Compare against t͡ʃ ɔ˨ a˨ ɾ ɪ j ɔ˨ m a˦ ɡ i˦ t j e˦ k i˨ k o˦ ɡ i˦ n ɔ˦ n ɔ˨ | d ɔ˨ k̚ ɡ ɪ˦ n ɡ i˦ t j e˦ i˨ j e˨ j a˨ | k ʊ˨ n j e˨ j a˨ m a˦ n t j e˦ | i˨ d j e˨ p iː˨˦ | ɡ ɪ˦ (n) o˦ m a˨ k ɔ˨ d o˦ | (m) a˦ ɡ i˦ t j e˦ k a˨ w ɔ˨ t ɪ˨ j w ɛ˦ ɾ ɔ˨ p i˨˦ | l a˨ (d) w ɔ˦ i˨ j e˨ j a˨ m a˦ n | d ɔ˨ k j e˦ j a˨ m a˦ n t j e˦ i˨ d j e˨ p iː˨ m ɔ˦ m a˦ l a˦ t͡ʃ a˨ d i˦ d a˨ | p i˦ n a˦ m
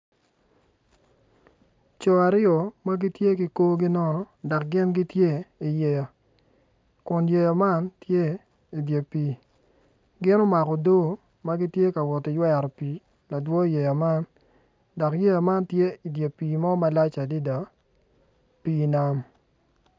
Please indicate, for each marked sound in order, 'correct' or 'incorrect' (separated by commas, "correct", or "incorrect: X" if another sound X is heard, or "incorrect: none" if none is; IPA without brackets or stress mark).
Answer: correct, correct, correct